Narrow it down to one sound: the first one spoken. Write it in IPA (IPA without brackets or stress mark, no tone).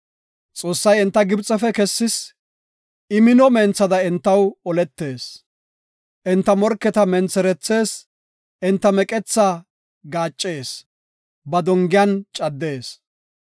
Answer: t͡sʼ